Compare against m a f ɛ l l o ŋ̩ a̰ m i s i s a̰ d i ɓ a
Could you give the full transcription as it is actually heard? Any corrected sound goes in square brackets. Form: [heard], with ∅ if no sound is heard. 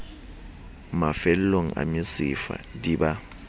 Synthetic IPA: m a f ɛ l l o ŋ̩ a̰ m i s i [f] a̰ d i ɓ a

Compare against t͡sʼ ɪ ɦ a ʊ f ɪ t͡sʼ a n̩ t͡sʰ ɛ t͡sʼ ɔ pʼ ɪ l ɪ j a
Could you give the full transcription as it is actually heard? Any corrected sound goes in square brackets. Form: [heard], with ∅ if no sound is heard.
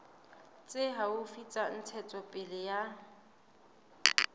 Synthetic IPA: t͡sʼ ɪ ɦ a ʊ f [i] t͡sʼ a n̩ t͡sʰ ɛ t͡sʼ ɔ pʼ ɪ l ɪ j a

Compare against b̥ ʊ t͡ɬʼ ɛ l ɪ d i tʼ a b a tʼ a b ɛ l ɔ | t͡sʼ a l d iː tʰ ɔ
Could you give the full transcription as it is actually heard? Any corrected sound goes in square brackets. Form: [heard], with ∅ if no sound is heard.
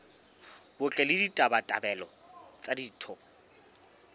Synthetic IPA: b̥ ʊ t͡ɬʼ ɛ l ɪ d i tʼ a b a tʼ a b ɛ l ɔ | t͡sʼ a [∅] d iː tʰ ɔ

